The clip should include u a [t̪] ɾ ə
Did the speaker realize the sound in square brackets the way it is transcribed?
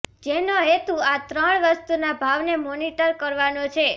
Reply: yes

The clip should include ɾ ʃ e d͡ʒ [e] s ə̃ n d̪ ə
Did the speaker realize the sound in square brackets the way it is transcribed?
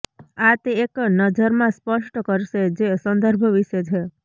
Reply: yes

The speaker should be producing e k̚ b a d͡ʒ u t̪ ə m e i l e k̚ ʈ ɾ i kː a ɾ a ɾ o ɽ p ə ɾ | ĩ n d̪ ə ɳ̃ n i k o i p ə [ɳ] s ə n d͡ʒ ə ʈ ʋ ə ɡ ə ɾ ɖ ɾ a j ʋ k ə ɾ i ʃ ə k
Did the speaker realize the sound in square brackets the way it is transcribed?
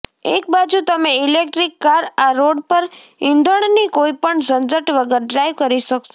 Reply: yes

